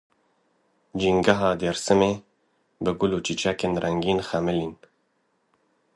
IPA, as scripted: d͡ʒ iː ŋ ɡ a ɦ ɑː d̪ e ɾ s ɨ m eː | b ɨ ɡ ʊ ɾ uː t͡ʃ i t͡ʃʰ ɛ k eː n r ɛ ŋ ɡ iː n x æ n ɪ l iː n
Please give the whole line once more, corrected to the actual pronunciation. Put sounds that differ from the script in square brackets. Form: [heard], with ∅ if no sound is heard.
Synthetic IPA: d͡ʒ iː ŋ ɡ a ɦ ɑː d̪ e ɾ s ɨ m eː | b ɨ ɡ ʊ [l] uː t͡ʃ i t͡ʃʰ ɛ k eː n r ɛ ŋ ɡ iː n x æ [m] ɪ l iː n